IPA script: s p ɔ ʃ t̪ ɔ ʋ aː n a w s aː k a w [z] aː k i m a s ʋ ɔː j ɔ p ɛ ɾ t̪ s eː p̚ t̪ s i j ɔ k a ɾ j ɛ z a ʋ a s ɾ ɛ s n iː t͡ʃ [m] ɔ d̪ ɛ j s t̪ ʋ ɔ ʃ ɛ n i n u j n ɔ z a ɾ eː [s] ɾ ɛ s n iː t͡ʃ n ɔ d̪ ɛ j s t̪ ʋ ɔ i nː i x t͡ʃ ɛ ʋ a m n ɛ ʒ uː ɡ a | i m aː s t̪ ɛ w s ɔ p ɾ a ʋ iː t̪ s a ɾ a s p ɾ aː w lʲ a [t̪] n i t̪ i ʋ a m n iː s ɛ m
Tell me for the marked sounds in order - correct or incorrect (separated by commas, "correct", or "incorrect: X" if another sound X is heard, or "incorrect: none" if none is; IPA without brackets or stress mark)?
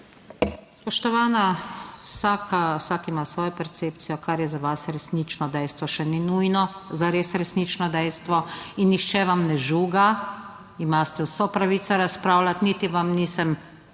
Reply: incorrect: s, incorrect: n, correct, correct